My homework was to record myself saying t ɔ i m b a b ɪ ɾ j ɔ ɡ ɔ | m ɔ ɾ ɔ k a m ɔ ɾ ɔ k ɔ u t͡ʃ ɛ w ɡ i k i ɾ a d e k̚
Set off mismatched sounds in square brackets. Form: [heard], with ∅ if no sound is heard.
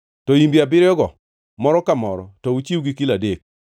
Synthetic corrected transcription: t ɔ i m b a b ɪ ɾ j ɔ ɡ ɔ | m ɔ ɾ ɔ k a m ɔ ɾ ɔ [t] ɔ u t͡ʃ [i] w ɡ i k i [l] a d e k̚